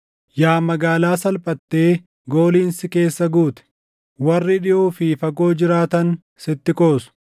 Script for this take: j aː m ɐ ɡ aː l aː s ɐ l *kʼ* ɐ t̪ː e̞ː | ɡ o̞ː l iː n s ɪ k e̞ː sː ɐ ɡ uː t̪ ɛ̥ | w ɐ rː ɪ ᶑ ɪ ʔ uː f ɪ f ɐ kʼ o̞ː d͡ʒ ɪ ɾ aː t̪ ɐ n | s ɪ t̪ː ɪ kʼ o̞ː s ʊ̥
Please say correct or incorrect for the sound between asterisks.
incorrect